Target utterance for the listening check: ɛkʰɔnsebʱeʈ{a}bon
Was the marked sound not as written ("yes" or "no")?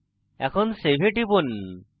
yes